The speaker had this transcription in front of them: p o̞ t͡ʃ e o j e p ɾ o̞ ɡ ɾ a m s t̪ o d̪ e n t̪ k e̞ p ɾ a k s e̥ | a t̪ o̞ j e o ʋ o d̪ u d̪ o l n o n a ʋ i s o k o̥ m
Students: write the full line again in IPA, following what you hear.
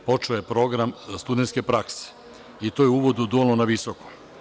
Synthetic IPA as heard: p o̞ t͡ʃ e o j e p ɾ o̞ ɡ ɾ a m s t̪ u d̪ e n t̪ k e̞ p ɾ a k s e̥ | i t̪ o̞ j e u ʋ o d̪ u d̪ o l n o n a ʋ i s o k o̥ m